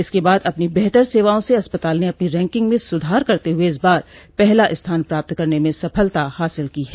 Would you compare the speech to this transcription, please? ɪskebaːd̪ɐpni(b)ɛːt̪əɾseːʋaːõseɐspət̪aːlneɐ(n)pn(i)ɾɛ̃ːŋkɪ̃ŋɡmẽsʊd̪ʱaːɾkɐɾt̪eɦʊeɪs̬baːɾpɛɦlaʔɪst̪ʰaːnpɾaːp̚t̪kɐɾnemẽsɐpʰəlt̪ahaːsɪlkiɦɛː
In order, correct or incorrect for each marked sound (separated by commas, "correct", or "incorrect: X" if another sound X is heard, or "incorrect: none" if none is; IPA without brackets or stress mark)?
correct, incorrect: none, correct